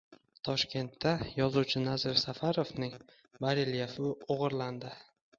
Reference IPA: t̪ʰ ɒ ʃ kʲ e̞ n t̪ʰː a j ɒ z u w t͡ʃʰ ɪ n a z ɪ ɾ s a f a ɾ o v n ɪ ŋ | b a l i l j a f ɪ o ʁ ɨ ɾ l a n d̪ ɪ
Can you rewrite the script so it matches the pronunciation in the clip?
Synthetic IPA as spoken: t̪ʰ ɒ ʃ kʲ e̞ n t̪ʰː a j ɒ z u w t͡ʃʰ ɪ n a z ɪ ɾ s a f a ɾ o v n ɪ ŋ | b a ɾ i l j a f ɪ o ʁ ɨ ɾ l a n d̪ ɪ